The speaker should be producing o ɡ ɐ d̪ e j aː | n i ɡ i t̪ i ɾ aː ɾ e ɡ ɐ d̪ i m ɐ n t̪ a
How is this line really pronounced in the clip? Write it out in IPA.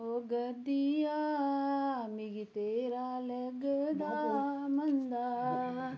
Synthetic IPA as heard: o ɡ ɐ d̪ i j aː | m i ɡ i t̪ e ɾ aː l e ɡ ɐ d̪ a m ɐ n d̪ a